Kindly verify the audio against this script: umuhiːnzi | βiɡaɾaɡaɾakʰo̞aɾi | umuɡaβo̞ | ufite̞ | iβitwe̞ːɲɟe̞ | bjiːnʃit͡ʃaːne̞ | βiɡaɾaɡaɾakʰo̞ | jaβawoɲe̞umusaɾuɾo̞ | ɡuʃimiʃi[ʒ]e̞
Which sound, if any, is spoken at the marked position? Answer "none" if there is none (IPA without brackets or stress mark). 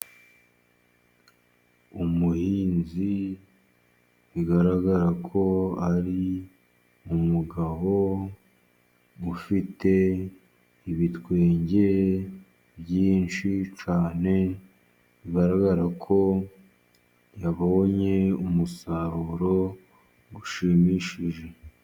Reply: ʒ